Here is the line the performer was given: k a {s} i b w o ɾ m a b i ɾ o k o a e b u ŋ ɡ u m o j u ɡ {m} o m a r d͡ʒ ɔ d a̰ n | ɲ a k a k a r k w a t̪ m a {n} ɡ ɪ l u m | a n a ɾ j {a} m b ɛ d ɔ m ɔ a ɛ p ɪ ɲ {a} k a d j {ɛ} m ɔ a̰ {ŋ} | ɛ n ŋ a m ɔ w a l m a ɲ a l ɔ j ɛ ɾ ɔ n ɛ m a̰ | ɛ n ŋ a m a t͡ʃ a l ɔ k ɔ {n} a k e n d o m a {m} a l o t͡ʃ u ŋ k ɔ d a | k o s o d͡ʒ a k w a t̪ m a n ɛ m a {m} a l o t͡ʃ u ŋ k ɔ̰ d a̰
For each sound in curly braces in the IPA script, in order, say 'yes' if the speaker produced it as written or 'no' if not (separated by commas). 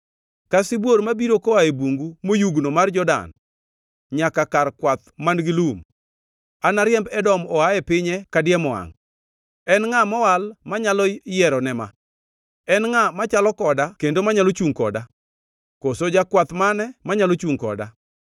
yes, no, yes, no, no, yes, yes, no, no, no